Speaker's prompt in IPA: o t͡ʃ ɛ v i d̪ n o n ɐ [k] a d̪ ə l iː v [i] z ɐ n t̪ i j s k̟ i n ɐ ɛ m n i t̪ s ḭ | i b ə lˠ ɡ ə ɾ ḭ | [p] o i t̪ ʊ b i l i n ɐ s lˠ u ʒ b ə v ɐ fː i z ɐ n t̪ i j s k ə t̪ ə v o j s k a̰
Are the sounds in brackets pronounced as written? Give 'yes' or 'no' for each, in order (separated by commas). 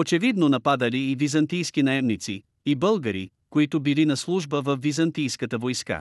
no, yes, no